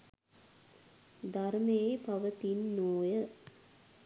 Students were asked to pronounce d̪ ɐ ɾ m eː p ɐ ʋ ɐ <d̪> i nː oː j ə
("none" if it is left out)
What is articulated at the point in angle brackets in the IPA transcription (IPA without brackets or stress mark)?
t̪